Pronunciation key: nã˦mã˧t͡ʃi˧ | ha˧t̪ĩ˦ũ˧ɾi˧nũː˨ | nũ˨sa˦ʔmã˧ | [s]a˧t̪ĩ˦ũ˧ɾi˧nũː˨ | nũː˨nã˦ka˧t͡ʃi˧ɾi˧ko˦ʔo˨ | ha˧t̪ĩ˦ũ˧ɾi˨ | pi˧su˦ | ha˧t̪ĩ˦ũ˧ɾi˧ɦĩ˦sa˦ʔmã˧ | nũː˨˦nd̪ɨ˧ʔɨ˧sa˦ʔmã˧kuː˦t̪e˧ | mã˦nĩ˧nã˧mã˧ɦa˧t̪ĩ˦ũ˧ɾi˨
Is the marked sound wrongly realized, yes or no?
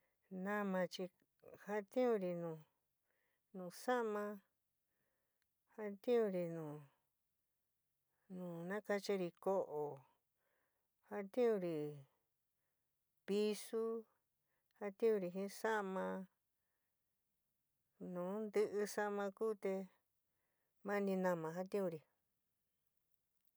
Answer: yes